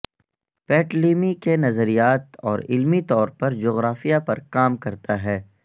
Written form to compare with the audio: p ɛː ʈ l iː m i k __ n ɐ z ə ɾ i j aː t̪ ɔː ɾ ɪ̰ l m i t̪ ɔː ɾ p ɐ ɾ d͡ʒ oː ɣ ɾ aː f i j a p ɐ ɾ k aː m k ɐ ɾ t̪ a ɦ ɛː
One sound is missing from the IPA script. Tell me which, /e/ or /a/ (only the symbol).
e